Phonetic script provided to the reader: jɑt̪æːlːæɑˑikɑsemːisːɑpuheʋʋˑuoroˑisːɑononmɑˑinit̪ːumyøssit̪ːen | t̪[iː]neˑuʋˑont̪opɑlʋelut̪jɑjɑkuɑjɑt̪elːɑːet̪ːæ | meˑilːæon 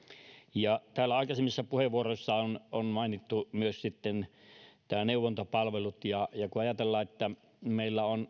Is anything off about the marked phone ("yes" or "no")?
yes